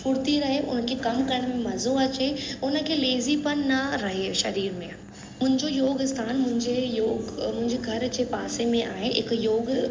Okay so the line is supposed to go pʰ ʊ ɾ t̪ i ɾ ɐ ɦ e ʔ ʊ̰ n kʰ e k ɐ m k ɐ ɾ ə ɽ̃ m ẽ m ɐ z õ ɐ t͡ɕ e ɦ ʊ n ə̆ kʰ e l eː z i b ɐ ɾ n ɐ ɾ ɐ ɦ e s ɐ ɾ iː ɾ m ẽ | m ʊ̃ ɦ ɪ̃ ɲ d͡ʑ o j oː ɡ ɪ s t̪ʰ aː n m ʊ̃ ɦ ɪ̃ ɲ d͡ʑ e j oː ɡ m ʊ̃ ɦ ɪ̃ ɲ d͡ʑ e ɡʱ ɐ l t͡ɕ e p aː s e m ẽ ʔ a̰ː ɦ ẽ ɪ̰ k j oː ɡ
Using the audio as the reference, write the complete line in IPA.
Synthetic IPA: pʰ ʊ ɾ t̪ i ɾ ɐ ɦ e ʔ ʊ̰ n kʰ e k ɐ m k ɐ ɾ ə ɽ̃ m ẽ m ɐ z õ ɐ t͡ɕ e ʊ n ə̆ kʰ e l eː z i p ɐ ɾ n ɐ ɾ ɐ ɦ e ʃ ɐ ɾ iː ɾ m ẽ | m ʊ̃ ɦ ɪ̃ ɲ d͡ʑ o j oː ɡ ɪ s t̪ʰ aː n m ʊ̃ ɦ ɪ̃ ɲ d͡ʑ e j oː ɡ m ʊ̃ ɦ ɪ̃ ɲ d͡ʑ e ɡʱ ɐ ɾ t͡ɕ e p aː s e m ẽ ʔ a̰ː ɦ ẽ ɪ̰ k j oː ɡ

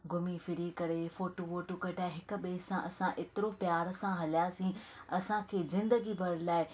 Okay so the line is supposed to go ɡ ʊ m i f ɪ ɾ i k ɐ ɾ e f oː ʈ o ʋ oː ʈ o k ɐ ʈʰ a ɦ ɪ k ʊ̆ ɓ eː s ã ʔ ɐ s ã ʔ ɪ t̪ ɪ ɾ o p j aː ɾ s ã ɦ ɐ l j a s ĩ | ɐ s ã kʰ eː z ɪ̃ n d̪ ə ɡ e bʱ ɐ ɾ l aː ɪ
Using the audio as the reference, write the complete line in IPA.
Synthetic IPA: ɡ ʊ m i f ɪ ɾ i k ɐ ɾ e f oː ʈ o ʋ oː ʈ o k ɐ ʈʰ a ɦ ɪ k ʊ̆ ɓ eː s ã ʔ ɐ s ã ʔ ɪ t̪ ɪ ɾ o p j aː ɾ s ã ɦ ɐ l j a s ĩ | ɐ s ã kʰ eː z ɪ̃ n d̪ ə ɡ i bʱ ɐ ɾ l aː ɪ

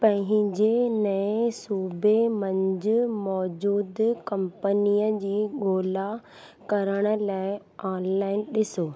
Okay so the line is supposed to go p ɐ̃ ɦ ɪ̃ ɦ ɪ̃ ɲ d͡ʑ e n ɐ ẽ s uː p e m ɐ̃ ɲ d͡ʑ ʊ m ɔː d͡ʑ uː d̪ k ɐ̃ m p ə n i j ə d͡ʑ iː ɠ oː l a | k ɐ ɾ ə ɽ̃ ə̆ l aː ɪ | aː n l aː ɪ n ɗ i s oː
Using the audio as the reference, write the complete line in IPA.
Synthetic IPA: p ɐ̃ ɦ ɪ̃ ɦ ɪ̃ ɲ d͡ʑ e n ɐ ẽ s uː b e m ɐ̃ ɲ d͡ʑ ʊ m ɔː d͡ʑ uː d̪ k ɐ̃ m p ə n i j ə d͡ʑ iː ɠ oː l a | k ɐ ɾ ə ɽ̃ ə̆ l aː ɪ | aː n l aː ɪ n ɗ ɪ s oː

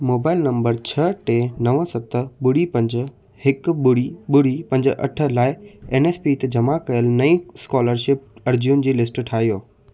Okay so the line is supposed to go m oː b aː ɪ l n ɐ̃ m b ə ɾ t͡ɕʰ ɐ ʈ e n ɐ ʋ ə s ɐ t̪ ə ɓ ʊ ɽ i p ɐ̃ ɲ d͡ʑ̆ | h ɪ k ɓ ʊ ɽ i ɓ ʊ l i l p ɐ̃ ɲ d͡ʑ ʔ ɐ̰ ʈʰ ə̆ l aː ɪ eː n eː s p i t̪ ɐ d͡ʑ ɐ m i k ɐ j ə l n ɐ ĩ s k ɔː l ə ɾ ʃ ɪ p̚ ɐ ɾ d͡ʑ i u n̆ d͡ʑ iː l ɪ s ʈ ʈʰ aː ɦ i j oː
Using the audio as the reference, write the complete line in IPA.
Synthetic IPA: m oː b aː ɪ l n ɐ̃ m b ə ɾ t͡ɕʰ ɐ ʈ e n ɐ ʋ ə s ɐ t̪ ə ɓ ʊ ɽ i p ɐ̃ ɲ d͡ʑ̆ | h ɪ k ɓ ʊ ɽ i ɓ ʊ ɽ i p ɐ̃ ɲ d͡ʑ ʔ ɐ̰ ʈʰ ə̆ l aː ɪ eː n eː s p i t̪ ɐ d͡ʑ ɐ m a k ɐ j ə l n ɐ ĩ s k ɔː l ə ɾ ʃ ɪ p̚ ɐ ɾ d͡ʑ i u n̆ d͡ʑ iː l ɪ s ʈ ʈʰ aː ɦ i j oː

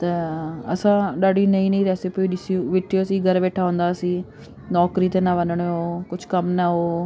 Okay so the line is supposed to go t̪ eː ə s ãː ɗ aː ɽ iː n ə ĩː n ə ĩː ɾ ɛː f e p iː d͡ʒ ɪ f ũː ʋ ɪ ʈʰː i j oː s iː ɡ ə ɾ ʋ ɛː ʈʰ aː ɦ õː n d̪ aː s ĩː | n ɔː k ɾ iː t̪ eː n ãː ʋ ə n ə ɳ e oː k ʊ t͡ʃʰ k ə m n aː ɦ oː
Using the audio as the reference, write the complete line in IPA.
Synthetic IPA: t̪ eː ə s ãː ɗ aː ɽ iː n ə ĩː n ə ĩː ɾ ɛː s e p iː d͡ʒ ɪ s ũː ʋ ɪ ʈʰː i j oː s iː ɡ ə ɾ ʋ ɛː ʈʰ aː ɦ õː n d̪ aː s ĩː | n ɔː k ɾ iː t̪ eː n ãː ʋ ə n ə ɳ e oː k ʊ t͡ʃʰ k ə m n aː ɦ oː

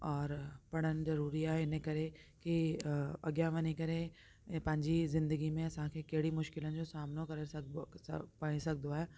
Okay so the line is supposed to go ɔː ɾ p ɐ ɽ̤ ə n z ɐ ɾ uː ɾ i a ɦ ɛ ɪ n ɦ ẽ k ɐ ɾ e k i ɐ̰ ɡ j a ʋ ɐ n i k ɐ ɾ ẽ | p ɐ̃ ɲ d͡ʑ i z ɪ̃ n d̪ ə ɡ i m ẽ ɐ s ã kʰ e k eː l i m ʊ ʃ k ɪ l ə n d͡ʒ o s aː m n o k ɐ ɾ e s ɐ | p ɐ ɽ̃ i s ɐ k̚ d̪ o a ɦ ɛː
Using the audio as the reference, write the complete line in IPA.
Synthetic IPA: ɔː ɾ p ɐ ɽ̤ ə n z ɐ ɾ uː ɾ i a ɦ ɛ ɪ n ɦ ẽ k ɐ ɾ e k i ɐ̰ ɡ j a ʋ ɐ n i k ɐ ɾ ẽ | p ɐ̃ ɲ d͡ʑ i z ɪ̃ n d̪ ə ɡ i m ẽ ɐ s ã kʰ e k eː ɽ i m ʊ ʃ k ɪ l ə n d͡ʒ o s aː m n o k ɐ ɾ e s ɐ | p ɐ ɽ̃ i s ɐ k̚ d̪ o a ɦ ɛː

